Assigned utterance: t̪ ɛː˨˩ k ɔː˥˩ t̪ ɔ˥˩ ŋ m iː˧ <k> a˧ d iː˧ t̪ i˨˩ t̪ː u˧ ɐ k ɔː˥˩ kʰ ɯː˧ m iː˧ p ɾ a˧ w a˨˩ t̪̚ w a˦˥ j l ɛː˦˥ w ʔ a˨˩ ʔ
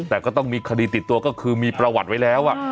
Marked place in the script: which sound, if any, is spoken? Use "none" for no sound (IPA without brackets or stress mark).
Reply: kʰ